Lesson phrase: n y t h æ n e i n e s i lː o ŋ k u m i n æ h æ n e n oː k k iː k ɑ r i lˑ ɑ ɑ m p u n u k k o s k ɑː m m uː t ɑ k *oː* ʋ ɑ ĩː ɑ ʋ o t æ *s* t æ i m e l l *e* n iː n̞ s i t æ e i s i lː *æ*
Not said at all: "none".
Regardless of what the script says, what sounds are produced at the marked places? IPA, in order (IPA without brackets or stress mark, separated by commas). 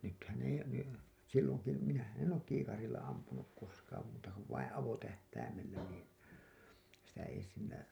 o, h, æ, æ